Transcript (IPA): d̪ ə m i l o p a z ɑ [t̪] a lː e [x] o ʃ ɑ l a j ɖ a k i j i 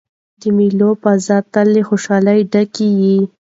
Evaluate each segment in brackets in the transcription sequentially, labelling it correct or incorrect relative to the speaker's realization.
correct, correct

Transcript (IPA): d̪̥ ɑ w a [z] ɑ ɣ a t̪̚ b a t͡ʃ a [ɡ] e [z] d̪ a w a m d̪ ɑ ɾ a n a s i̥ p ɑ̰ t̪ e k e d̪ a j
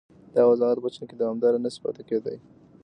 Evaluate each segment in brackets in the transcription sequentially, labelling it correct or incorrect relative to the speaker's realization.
correct, incorrect, incorrect

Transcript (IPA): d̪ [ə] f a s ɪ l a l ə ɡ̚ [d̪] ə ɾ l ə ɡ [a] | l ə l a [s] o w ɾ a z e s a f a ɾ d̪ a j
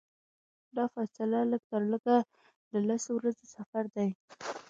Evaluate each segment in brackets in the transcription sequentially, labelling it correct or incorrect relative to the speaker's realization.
incorrect, incorrect, correct, correct

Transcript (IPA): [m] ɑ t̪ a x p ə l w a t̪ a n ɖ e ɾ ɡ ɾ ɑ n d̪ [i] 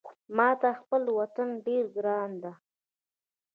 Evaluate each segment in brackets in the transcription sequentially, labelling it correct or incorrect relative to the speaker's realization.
correct, incorrect

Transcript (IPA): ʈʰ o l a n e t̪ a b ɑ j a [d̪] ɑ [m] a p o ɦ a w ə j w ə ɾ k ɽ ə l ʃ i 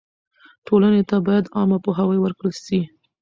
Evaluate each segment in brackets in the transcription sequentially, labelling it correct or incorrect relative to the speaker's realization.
correct, correct

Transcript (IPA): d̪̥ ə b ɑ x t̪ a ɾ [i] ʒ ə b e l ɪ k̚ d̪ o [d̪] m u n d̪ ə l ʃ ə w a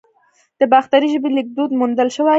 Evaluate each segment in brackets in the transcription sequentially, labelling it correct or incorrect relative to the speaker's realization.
correct, correct

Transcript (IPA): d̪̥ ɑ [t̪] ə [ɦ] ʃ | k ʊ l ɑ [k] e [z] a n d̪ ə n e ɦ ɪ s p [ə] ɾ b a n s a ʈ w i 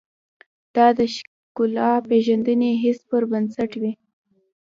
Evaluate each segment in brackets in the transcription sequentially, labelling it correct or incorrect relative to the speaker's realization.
incorrect, incorrect, incorrect, incorrect, correct

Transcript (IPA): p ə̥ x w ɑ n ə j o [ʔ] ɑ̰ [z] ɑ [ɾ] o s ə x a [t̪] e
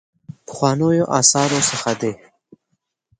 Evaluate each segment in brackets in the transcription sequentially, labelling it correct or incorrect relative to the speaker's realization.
correct, incorrect, correct, incorrect

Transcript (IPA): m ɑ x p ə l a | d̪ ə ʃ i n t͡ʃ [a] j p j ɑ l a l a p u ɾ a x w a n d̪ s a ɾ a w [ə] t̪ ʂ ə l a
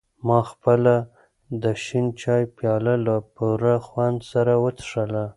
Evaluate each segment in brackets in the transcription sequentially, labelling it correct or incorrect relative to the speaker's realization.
incorrect, correct

